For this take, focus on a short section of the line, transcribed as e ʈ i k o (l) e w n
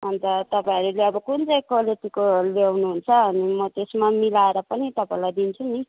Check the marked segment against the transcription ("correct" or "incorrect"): correct